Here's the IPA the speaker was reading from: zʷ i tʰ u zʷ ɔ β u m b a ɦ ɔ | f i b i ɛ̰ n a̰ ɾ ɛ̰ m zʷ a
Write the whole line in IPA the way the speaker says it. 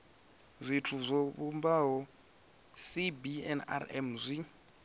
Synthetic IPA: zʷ i tʰ u zʷ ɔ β u m b a ɦ ɔ | s i b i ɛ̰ n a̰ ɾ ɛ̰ m zʷ i